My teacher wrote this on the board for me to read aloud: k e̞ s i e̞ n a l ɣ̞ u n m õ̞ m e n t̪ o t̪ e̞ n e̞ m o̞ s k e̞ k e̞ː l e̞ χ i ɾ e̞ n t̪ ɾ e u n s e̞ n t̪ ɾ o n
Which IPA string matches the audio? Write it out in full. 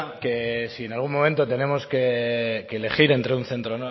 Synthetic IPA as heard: k e̞ s i e̞ n a l ɣ̞ u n m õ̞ m e n t̪ o t̪ e̞ n e̞ m o̞ s k e̞ k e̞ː l e̞ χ i ɾ e̞ n t̪ ɾ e u n θ e̞ n t̪ ɾ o n